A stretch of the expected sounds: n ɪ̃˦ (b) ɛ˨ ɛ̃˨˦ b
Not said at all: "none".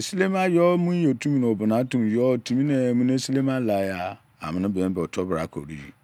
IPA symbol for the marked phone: b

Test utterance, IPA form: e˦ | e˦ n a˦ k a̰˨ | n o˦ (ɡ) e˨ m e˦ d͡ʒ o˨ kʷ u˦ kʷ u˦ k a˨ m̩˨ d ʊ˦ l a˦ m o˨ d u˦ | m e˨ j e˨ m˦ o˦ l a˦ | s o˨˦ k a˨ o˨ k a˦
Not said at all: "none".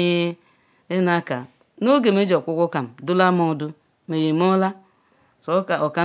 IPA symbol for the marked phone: ɡ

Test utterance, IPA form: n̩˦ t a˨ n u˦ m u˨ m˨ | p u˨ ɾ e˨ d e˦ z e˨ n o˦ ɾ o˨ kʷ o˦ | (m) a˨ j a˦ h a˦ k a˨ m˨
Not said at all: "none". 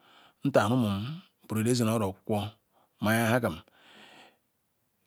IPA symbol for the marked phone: m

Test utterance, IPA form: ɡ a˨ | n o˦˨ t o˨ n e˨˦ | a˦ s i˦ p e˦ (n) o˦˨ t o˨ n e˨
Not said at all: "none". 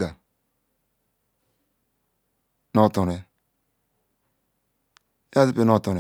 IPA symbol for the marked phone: n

